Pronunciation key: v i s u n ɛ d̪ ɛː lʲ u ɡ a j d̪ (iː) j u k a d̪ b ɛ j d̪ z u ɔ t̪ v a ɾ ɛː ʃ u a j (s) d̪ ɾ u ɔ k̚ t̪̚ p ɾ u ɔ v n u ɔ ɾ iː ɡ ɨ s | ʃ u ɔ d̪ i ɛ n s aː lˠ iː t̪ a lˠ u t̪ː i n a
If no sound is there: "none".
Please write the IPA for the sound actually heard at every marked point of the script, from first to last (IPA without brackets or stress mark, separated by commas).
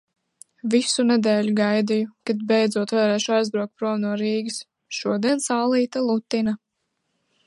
i, z